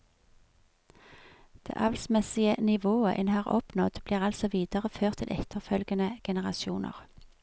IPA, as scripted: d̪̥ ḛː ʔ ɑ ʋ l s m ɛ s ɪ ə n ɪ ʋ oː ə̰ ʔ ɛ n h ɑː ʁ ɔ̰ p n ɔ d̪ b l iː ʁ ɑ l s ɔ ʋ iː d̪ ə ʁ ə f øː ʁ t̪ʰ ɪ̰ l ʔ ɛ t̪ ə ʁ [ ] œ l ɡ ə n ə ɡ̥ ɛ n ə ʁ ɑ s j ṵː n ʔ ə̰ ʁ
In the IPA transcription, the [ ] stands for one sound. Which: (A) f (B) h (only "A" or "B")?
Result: A